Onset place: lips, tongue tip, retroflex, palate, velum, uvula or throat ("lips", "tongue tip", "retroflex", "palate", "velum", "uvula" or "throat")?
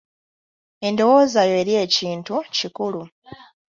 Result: tongue tip